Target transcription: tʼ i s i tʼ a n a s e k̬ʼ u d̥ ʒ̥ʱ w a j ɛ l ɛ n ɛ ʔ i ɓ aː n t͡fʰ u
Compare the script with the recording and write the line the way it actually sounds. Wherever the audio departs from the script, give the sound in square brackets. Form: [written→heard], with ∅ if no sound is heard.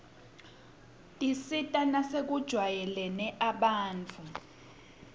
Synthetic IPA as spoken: tʼ i s i tʼ a n a s e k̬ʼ u d̥ ʒ̥ʱ w a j ɛ l ɛ n ɛ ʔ [i→a] ɓ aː n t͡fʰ u